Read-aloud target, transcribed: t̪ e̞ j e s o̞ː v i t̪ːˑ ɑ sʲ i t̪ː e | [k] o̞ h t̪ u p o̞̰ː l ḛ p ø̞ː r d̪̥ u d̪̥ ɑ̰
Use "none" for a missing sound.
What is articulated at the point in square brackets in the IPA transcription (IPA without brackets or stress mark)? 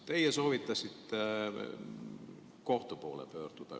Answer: k